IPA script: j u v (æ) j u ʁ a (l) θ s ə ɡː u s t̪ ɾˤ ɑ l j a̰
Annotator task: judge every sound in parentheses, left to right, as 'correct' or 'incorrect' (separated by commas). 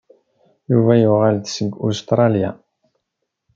correct, correct